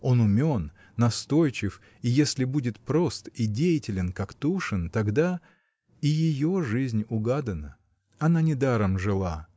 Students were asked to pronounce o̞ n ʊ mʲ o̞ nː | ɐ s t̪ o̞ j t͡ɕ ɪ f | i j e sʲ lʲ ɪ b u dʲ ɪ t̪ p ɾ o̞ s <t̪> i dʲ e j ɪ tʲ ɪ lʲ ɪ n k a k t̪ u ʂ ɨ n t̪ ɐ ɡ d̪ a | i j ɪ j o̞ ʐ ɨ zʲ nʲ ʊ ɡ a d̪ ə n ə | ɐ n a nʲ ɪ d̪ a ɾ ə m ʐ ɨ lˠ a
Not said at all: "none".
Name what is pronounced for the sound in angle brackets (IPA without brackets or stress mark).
t̪